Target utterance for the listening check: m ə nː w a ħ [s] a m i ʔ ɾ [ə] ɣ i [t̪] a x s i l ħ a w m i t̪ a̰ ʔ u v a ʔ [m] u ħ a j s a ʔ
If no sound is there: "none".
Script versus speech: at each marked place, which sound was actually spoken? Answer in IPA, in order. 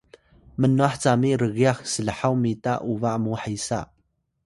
t͡s, ə, none, m

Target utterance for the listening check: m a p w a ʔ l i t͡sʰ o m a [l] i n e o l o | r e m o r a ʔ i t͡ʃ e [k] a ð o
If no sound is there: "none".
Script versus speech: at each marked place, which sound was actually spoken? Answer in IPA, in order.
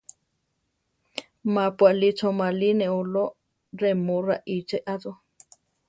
l, ʔ

